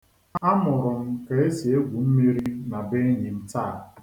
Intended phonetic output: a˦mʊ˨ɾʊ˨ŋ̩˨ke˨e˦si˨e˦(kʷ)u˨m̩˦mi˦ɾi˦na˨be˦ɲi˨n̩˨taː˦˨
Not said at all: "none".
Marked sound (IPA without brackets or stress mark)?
ɡʷ